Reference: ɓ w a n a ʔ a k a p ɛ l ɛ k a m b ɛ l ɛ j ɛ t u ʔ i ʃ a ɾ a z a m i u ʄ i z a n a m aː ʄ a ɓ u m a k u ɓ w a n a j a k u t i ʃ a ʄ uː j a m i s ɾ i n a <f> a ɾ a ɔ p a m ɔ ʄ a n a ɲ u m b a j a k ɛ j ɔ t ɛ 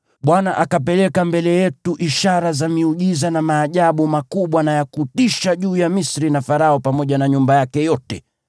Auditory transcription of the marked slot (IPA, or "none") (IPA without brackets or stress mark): f